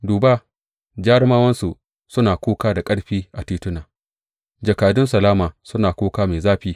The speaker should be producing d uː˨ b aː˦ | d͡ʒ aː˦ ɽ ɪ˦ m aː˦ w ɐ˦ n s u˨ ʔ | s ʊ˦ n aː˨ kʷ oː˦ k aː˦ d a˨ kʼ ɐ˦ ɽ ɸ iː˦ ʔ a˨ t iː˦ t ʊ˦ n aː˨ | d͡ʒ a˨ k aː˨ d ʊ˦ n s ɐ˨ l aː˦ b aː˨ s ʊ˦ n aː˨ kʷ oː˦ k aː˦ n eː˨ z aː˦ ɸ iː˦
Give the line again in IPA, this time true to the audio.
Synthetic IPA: d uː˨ b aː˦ | d͡ʒ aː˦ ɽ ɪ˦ m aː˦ w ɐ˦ n s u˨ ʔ | s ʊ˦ n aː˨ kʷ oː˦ k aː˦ d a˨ kʼ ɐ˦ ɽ ɸ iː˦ ʔ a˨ t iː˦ t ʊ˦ n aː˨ | d͡ʒ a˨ k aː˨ d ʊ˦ n s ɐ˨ l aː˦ m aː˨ s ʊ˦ n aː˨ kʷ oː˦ k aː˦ m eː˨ z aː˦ ɸ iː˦